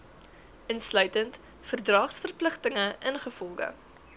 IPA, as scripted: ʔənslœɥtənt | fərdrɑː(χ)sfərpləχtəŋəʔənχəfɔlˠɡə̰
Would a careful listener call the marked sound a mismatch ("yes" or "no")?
no